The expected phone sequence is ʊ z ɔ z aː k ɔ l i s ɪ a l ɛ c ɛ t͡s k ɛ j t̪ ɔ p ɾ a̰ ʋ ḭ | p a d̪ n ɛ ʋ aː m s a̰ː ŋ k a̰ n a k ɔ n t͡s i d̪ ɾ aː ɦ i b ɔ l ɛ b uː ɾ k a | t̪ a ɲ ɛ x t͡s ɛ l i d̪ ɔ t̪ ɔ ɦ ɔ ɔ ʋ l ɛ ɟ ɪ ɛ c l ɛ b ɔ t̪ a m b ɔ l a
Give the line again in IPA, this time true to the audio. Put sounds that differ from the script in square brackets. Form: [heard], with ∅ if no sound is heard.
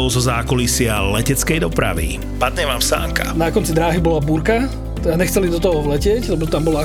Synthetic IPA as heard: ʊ z ɔ z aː k ɔ l i s ɪ a l ɛ c ɛ t͡s k ɛ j [d̪] ɔ p ɾ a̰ ʋ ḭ | p a d̪ [ɲ] ɛ ʋ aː m s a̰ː ŋ k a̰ n a k ɔ n t͡s i d̪ ɾ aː ɦ i b ɔ l [a] b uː ɾ k a | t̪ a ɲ ɛ x t͡s ɛ l i d̪ ɔ t̪ ɔ ɦ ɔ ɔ ʋ l ɛ [c] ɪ ɛ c l ɛ b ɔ t̪ a m b ɔ l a